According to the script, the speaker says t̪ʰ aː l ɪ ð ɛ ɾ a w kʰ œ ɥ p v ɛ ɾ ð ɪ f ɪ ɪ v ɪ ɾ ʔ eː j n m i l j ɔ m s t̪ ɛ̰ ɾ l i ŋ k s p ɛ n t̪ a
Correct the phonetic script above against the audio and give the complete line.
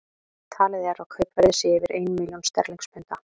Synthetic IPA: t̪ʰ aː l ɪ ð ɛ ɾ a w kʰ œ ɥ p v ɛ ɾ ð ɪ s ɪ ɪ v ɪ ɾ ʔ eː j n m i l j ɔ n s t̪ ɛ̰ ɾ l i ŋ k s p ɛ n t̪ a